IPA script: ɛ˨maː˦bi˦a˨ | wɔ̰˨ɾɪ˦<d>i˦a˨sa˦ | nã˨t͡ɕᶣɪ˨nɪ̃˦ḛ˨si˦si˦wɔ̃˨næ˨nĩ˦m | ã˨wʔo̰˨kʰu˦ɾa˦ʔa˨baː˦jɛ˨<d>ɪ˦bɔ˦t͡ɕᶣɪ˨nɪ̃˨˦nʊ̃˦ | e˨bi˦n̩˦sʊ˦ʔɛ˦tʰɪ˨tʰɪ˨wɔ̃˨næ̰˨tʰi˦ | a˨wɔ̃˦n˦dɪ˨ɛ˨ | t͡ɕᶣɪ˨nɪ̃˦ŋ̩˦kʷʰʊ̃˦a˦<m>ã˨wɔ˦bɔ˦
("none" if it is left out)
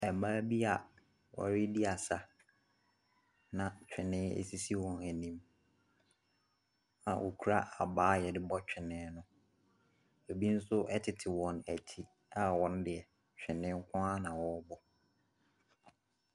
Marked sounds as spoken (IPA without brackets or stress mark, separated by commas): d, d, n